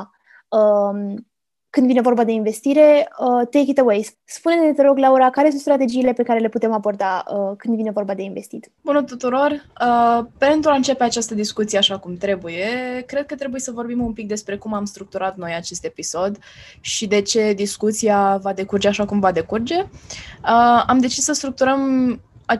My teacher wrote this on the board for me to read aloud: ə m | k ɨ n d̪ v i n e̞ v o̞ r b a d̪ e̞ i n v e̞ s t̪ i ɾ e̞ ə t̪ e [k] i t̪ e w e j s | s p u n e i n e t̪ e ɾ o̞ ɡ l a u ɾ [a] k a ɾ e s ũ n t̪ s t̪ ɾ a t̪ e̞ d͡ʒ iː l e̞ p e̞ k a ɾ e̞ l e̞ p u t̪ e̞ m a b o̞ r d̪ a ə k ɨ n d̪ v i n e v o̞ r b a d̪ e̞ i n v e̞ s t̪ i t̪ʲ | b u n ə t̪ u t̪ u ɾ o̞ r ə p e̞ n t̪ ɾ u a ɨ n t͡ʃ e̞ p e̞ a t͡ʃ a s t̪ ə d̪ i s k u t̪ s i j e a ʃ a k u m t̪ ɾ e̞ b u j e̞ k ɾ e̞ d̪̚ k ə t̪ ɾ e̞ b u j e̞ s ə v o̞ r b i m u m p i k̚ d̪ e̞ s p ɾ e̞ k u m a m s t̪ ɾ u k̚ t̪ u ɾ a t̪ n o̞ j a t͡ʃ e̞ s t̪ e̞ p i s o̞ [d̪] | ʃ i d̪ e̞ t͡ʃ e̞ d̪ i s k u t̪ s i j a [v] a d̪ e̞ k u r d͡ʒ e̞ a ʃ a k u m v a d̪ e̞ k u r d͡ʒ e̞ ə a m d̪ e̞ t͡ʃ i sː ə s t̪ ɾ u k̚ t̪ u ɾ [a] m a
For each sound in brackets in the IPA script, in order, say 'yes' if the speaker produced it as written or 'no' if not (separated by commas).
yes, yes, yes, yes, no